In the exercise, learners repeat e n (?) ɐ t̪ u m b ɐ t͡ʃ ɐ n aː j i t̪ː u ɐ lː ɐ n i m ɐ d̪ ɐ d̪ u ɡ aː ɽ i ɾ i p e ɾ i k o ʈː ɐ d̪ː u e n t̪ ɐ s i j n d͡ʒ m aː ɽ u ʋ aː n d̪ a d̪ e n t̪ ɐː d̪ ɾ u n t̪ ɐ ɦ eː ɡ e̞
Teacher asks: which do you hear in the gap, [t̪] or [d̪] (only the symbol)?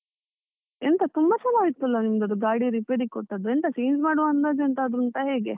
t̪